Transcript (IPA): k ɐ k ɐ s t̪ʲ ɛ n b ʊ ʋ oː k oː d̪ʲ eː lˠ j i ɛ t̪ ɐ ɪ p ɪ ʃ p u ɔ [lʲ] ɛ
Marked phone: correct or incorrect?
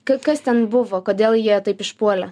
correct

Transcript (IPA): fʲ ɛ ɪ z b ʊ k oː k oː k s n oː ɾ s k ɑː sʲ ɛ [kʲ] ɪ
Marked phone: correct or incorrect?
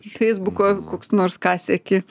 correct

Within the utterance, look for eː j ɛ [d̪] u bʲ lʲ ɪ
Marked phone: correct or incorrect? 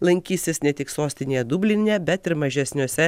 correct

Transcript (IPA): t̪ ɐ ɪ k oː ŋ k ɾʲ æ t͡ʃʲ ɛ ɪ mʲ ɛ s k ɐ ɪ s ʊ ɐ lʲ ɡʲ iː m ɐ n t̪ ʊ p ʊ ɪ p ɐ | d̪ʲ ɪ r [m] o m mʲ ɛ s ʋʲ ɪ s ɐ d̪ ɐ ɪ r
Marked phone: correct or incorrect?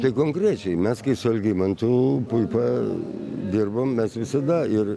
incorrect: b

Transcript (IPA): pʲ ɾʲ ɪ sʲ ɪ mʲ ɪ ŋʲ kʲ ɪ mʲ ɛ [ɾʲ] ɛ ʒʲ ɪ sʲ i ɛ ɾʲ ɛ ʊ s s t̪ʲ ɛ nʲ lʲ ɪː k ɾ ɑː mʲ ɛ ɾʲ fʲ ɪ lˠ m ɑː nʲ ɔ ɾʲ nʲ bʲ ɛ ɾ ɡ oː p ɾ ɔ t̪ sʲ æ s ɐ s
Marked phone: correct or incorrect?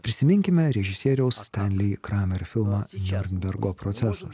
correct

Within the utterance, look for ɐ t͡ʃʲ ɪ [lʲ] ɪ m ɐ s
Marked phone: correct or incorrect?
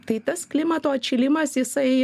correct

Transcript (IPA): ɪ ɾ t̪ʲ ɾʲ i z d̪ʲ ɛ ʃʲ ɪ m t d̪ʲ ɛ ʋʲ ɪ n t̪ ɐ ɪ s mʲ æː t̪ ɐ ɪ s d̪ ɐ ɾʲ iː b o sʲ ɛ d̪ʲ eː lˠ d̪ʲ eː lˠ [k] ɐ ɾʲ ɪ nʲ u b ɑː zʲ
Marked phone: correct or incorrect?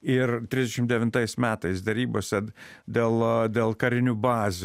correct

